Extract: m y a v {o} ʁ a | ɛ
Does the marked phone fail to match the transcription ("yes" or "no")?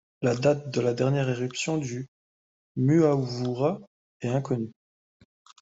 yes